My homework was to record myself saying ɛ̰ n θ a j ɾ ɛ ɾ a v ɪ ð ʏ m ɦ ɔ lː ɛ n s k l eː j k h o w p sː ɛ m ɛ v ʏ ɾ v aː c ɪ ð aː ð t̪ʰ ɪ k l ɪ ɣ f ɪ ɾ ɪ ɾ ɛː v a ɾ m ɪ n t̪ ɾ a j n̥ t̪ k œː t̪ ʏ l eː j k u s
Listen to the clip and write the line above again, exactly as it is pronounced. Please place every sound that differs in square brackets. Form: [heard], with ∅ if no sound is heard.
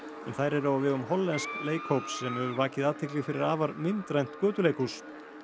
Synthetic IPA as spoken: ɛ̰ n θ a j ɾ ɛ ɾ a v ɪ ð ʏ m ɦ ɔ lː ɛ n s k l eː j k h o w p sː ɛ m ɛ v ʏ ɾ v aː c ɪ ð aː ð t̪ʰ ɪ k l ɪ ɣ f ɪ ɾ ɪ ɾ [aː] v a ɾ m ɪ n t̪ ɾ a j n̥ t̪ k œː t̪ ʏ l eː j k u s